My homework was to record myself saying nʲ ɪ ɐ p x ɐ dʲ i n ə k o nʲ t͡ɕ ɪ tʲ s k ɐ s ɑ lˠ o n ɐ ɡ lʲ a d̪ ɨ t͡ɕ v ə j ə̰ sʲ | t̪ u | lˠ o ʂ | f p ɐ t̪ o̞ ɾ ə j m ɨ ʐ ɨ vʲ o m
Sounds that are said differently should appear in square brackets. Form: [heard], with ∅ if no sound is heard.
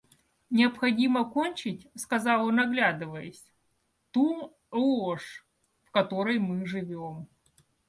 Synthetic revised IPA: nʲ ɪ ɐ p x ɐ dʲ i [m] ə k o nʲ t͡ɕ ɪ tʲ s k ɐ [z] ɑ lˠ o n ɐ ɡ lʲ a d̪ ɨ [∅] v ə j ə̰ sʲ | t̪ u | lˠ o ʂ | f [k] ɐ t̪ o̞ ɾ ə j m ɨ ʐ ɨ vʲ o m

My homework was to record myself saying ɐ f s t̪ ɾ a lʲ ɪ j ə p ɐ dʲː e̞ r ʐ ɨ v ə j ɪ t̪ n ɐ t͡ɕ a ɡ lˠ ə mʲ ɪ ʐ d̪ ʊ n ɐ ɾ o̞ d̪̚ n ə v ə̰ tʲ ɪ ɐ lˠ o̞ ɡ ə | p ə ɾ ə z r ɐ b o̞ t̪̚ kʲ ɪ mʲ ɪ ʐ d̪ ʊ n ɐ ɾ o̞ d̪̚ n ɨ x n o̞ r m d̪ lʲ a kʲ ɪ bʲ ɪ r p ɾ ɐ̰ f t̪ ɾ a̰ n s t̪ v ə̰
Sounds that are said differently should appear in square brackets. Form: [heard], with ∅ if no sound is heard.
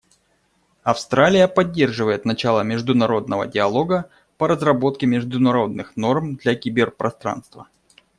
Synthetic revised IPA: ɐ f s t̪ ɾ a lʲ ɪ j ə p ɐ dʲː e̞ r ʐ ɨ v ə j ɪ t̪ n ɐ t͡ɕ a [∅] lˠ ə mʲ ɪ ʐ d̪ ʊ n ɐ ɾ o̞ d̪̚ n ə v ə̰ [dʲ] ɪ ɐ lˠ o̞ ɡ ə | p ə ɾ ə z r ɐ b o̞ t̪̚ kʲ ɪ mʲ ɪ ʐ d̪ ʊ n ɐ ɾ o̞ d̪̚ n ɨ x n o̞ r m d̪ lʲ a kʲ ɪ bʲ ɪ r p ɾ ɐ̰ [s] t̪ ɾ a̰ n s t̪ v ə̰

